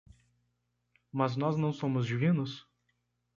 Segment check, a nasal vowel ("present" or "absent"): present